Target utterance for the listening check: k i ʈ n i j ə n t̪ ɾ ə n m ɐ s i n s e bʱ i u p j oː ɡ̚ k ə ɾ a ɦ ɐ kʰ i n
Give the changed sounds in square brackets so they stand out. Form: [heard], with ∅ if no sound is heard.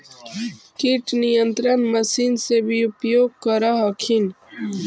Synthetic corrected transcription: k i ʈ n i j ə n t̪ ɾ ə n m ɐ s i n s e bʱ i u p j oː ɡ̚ k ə ɾ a ɦ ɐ kʰ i n